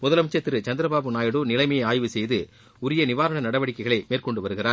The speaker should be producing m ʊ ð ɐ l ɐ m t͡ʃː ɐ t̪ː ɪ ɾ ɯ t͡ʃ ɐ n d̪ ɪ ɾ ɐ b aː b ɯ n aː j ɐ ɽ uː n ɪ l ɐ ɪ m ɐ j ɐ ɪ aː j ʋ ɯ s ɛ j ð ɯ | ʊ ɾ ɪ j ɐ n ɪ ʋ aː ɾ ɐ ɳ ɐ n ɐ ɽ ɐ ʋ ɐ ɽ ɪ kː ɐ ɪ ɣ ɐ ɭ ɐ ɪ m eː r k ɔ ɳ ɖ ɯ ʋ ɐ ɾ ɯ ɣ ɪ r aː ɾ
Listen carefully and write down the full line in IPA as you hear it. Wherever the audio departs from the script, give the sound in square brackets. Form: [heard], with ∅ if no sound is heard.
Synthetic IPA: m ʊ ð ɐ l ɐ m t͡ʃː ɐ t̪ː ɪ ɾ ɯ t͡ʃ ɐ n d̪ ɪ ɾ ɐ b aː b ɯ n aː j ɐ ɽ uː n ɪ l ɐ ɪ m ɐ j ɐ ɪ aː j ʋ ɯ s ɛ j ð ɯ | ʊ ɾ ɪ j ɐ n ɪ ʋ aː ɾ ɐ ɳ ɐ n ɐ ɽ ɐ ʋ ɐ ɽ ɪ kː ɐ ɪ ɣ ɐ ɭ ɐ ɪ m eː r k ɔ ɳ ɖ ɯ ʋ ɐ ɾ ɯ ɣ ɪ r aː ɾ